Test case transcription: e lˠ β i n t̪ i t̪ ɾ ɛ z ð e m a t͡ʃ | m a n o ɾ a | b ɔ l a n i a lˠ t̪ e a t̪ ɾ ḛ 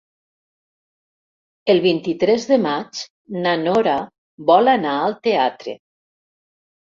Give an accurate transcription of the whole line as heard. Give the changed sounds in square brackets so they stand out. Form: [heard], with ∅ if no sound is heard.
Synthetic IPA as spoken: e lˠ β i n t̪ i t̪ ɾ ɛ z ð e m a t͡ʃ | [n] a n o ɾ a | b ɔ l a n [a] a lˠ t̪ e a t̪ ɾ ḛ

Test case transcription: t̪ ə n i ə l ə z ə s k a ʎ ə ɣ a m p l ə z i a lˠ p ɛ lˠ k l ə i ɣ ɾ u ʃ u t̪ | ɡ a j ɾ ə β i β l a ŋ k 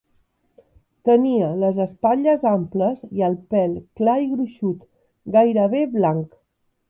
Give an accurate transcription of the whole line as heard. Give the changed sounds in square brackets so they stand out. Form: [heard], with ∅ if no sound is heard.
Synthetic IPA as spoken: t̪ ə n i ə l ə z ə s [p] a ʎ ə [z] a m p l ə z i [ə] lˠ p ɛ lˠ k l [a] i ɣ ɾ u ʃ u t̪ | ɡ a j ɾ ə β [e] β l a ŋ k

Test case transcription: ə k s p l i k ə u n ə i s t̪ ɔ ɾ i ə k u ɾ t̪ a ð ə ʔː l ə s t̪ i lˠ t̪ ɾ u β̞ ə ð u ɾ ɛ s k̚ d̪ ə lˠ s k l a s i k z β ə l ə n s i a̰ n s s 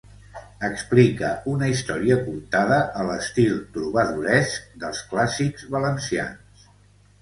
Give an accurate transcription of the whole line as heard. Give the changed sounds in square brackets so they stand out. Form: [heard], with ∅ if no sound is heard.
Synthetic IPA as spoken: ə k s p l i k ə u n ə i s t̪ ɔ ɾ i ə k u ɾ t̪ a ð ə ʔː l ə s t̪ i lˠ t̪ ɾ u β̞ ə ð u ɾ ɛ s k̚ d̪ ə lˠ s k l a s i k z β ə l ə n s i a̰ n s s

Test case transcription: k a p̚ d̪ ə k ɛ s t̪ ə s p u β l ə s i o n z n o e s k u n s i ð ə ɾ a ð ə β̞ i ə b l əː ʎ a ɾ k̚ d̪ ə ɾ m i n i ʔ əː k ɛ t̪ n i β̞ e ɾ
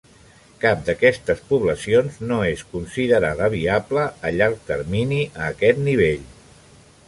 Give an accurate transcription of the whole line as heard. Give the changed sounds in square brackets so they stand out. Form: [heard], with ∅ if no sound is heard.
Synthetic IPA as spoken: k a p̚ d̪ ə k ɛ s t̪ ə s p u β l ə s i o n z n o e s k u n s i ð ə ɾ a ð ə β̞ i [a] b l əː ʎ a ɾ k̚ [t̪] ə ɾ m i n i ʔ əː k ɛ t̪ n i β̞ e [ʎ]

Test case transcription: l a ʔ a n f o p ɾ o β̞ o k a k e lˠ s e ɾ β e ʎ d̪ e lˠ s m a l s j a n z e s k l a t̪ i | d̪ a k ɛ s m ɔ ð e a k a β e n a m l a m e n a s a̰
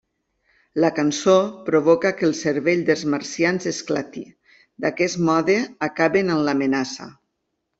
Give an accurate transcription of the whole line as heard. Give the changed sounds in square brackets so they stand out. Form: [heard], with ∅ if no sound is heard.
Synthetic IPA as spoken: l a [k] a n [s] o p ɾ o β̞ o k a k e lˠ s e ɾ β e ʎ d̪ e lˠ [z] m a [ɾ] s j a n z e s k l a t̪ i | d̪ a k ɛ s m ɔ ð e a k a β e n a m l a m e n a s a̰

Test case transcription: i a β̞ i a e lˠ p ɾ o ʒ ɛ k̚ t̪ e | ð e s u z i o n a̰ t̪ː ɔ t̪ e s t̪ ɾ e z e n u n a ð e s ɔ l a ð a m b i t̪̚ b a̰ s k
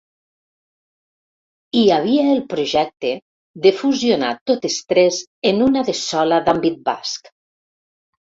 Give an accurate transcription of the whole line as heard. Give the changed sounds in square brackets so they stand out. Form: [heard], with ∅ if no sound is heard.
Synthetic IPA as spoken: i a β̞ i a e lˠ p ɾ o ʒ ɛ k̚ t̪ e | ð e [f] u z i o n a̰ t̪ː [o] t̪ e s t̪ ɾ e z e n u n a ð e s ɔ l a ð a m b i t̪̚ b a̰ s k

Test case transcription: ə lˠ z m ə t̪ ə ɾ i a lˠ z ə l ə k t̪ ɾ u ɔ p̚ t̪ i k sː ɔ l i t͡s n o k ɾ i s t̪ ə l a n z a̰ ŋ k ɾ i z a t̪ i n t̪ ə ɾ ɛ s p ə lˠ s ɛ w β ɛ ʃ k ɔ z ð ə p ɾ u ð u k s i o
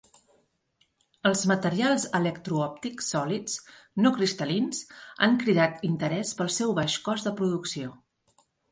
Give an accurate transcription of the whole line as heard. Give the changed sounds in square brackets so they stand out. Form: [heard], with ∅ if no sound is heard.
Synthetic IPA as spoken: ə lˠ z m ə t̪ ə ɾ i a lˠ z ə l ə k t̪ ɾ u ɔ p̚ t̪ i k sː ɔ l i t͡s n o k ɾ i s t̪ ə l [i] n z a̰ ŋ k ɾ i [ð] a t̪ i n t̪ ə ɾ ɛ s p ə lˠ s ɛ w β [a] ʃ k ɔ z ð ə p ɾ u ð u k s i o

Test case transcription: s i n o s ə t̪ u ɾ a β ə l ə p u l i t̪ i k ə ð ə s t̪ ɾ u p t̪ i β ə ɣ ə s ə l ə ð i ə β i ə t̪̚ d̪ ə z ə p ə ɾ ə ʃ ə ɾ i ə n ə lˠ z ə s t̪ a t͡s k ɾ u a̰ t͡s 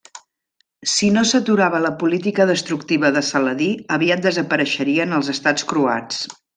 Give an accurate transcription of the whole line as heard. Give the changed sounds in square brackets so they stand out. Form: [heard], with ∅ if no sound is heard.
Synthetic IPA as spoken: s i n o s ə t̪ u ɾ a β ə l ə p u l i t̪ i k ə ð ə s t̪ ɾ u [k] t̪ i β ə [ð] ə s ə l ə ð i ə β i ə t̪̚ d̪ ə z ə p ə ɾ ə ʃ ə ɾ i ə n ə lˠ z ə s t̪ a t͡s k ɾ u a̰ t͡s

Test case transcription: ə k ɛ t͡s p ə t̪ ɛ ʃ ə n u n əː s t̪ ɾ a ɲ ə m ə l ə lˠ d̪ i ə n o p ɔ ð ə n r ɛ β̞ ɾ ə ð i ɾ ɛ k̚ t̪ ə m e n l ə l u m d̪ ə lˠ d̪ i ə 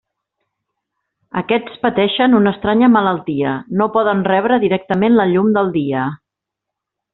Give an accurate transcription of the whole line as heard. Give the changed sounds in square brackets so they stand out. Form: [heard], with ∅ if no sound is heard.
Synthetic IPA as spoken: ə k ɛ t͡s p ə t̪ ɛ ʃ ə n u n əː s t̪ ɾ a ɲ ə m ə l ə lˠ [t̪] i ə n o p ɔ ð ə n r ɛ β̞ ɾ ə ð i ɾ ɛ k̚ t̪ ə m e n l ə [ʎ] u m d̪ ə lˠ d̪ i ə

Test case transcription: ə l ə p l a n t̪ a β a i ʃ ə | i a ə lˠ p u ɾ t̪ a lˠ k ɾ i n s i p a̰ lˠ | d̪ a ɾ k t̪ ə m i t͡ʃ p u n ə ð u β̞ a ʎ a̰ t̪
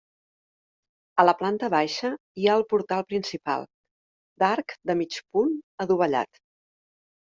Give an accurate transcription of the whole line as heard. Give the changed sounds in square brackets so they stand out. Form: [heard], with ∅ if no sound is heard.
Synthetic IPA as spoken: ə l ə p l a n t̪ [ə] β a [j] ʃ ə | i a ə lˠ p u ɾ t̪ a lˠ [p] ɾ i n s i p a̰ lˠ | d̪ a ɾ k [d̪] ə m i t͡ʃ p u n ə ð u β̞ [ə] ʎ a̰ t̪

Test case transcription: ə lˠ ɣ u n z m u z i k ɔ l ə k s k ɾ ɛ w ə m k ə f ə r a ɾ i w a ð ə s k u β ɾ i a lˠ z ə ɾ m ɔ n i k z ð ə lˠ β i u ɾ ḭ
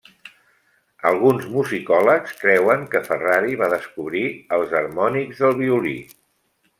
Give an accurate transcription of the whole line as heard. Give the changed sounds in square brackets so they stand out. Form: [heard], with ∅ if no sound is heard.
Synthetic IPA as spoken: ə lˠ ɣ u n z m u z i k ɔ l ə k s k ɾ ɛ w ə [ŋ] k ə f ə r a ɾ i [β] a ð ə s k u β ɾ i [ə] lˠ z ə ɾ m ɔ n i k z ð ə lˠ β i u [l] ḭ

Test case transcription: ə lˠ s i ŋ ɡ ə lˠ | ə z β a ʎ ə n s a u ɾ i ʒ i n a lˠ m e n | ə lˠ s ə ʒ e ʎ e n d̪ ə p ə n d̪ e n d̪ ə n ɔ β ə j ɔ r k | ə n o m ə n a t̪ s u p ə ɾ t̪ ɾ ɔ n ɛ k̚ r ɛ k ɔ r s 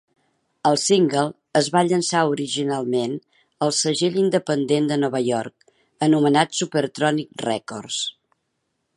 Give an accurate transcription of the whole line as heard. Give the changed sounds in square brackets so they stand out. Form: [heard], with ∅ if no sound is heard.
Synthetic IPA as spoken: ə lˠ s i ŋ ɡ ə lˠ | ə z β a ʎ ə n s a u ɾ i ʒ i n a lˠ m e n | ə lˠ s ə ʒ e ʎ [i] n d̪ ə p ə n d̪ e n d̪ ə n ɔ β ə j ɔ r k | ə n [u] m ə n a t̪ s u p ə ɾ t̪ ɾ ɔ n [i] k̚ r ɛ k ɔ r s

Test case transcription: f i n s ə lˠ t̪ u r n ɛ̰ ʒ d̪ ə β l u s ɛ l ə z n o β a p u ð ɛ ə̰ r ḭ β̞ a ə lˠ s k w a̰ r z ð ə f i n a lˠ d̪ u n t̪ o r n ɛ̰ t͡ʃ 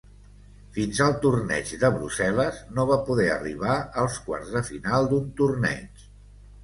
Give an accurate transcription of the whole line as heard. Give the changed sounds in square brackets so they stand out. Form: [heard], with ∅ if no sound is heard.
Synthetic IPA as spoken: f i n [z] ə lˠ t̪ u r n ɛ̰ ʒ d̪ ə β [ɾ] u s ɛ l ə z n o β a p u ð ɛ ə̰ r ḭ β̞ a ə lˠ s k w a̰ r z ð ə f i n a lˠ d̪ u n t̪ [u] r n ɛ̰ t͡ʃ

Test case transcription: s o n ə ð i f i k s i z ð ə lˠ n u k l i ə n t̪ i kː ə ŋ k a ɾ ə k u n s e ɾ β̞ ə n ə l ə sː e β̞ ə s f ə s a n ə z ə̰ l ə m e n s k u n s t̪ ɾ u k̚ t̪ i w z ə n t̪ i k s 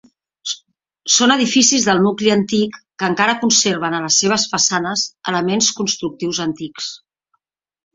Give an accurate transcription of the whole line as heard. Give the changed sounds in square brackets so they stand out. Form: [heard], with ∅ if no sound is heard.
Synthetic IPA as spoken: s o n ə ð i f i [∅] s i z ð ə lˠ n u k l i ə n t̪ i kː ə ŋ k a ɾ ə k u n s e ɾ β̞ ə n ə l ə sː e β̞ ə s f ə s a n ə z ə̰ l ə m e n s k u n s t̪ ɾ u k̚ t̪ i w z ə n t̪ i k s

